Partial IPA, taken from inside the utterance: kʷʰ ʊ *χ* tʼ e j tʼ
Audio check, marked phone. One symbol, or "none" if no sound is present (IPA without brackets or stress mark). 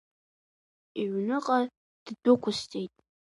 s